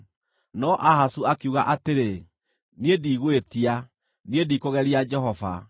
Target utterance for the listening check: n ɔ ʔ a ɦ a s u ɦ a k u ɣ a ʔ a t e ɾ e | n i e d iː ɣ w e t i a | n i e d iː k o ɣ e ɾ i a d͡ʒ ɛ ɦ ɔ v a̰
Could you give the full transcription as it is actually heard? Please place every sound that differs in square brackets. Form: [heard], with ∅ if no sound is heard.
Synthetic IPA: n ɔ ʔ a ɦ a s u [∅] a k u ɣ a ʔ a t e ɾ e | n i e d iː ɣ w e t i a | n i e d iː k o ɣ [ɛ] ɾ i a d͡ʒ ɛ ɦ ɔ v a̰

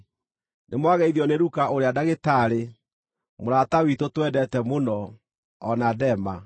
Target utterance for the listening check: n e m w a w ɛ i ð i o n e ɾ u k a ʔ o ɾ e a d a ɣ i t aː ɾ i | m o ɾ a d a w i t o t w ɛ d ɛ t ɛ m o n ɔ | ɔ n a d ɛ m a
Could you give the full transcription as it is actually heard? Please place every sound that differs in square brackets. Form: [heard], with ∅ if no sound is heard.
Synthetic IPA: n e m w a [ɣ] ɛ i ð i [ɔ] n e ɾ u k a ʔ o ɾ e a d a ɣ [e] t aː ɾ [e] | m o ɾ a [t] a w i t o t w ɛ d ɛ t ɛ m o n ɔ | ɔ n a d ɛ m a

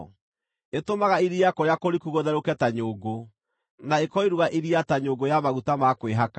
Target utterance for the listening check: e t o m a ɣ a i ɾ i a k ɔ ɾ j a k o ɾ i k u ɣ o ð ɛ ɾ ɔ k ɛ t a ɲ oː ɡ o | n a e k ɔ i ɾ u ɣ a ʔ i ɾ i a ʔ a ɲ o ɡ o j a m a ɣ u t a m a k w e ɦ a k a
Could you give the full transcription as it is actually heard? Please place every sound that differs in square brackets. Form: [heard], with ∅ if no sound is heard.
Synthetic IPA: e t o m a ɣ a i ɾ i a k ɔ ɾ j a k o ɾ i k u ɣ o ð ɛ ɾ [o] k ɛ t a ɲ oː ɡ o | n a e k ɔ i ɾ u ɣ a ʔ i ɾ i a [t] a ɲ o ɡ o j a m a ɣ u t a m a k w e ɦ a k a

